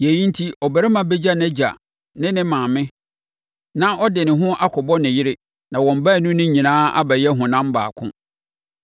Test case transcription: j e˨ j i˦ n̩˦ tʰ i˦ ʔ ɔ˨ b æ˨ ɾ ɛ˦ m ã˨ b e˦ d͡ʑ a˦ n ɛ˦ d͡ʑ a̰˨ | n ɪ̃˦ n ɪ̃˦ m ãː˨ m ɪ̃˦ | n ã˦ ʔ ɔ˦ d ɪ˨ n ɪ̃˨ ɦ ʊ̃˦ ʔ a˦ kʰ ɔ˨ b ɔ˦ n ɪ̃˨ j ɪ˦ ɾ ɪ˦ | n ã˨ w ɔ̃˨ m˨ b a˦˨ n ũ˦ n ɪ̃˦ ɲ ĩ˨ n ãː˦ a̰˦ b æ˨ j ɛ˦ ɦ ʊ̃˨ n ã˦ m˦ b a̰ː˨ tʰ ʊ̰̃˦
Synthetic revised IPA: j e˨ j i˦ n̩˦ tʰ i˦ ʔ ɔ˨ b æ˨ ɾ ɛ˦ m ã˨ b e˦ d͡ʑ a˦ n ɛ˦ d͡ʑ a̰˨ | n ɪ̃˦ n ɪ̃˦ m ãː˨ m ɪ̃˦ | n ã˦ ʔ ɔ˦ d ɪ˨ n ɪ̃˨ ɦ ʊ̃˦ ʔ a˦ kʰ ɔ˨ b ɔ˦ n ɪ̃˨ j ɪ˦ ɾ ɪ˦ | n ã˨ w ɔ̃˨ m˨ b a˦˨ n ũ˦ n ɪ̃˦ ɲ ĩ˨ n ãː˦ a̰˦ b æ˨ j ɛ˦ ɦ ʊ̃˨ n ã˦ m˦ b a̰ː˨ kʰ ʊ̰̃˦